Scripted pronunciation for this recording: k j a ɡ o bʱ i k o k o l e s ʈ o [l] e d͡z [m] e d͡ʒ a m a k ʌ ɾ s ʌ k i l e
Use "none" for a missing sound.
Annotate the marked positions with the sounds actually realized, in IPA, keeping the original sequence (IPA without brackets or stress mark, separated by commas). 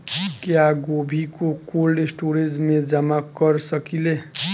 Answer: ɾ, m